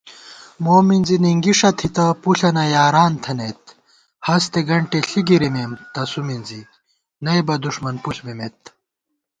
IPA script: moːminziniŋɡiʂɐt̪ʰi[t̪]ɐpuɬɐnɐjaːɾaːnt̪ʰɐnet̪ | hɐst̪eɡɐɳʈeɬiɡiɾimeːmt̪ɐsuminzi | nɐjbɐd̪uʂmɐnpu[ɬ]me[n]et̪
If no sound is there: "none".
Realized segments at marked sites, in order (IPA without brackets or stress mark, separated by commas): t̪, ɬ, m